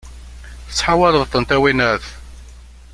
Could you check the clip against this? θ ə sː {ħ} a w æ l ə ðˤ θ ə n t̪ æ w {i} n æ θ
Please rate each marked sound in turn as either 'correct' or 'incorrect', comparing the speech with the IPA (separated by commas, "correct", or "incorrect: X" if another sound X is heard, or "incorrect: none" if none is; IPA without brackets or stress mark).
correct, correct